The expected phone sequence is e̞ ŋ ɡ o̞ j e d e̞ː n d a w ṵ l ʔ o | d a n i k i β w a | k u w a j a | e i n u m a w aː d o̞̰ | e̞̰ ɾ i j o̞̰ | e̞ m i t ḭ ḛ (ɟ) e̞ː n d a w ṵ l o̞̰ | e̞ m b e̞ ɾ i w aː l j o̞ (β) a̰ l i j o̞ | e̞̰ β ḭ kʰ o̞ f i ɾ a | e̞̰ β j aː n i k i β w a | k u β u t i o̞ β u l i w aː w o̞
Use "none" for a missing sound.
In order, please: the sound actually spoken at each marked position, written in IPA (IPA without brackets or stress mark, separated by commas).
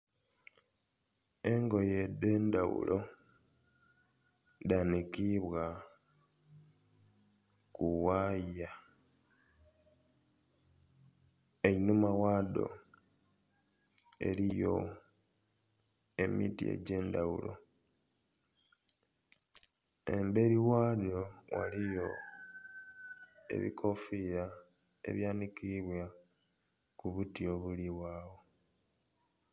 ɟ, w